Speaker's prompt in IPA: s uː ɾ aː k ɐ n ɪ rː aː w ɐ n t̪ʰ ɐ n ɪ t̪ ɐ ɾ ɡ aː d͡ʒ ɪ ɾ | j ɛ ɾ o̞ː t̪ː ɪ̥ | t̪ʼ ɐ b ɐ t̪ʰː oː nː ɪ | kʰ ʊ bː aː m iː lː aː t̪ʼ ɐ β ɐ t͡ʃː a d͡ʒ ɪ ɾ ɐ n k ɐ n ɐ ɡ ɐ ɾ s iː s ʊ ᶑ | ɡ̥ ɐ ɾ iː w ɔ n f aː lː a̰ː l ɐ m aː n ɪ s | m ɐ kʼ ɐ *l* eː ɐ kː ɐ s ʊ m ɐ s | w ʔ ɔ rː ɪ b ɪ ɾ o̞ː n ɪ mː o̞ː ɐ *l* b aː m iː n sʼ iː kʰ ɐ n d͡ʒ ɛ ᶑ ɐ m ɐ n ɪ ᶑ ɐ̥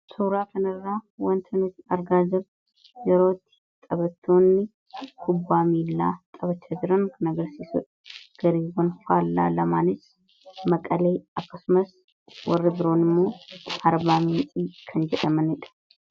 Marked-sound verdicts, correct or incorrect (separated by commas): correct, incorrect